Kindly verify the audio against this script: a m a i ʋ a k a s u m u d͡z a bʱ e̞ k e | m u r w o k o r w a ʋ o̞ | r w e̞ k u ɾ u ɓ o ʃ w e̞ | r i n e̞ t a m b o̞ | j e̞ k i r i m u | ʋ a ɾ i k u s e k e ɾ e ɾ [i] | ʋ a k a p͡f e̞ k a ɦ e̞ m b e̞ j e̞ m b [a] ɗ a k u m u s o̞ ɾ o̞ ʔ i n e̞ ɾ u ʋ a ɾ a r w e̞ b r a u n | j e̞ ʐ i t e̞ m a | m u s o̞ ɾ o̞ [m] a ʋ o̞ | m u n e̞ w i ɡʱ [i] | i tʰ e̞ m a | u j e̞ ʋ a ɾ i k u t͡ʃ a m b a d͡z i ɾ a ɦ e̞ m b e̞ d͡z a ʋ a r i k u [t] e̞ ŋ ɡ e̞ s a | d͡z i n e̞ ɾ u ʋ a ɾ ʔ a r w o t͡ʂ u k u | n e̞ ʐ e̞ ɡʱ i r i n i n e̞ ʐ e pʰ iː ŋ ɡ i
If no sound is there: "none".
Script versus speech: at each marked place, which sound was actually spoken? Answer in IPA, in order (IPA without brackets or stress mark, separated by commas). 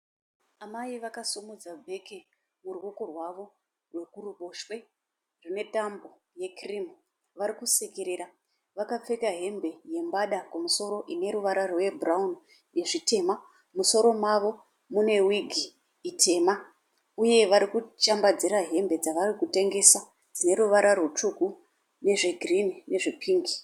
a, a, m, i, t